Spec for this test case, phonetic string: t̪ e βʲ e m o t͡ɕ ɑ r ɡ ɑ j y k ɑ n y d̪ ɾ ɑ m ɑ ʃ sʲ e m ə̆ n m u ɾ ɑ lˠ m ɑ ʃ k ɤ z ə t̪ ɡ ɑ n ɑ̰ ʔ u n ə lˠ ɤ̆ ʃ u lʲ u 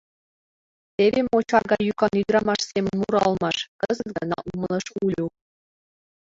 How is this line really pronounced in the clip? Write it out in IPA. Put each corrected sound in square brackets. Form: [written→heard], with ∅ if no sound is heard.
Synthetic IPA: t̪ e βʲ e m o t͡ɕ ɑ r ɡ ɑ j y k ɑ n y d̪ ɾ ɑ m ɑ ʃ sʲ e m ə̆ n m u ɾ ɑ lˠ m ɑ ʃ k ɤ z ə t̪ ɡ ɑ n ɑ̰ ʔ u [n→m] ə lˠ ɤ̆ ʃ u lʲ u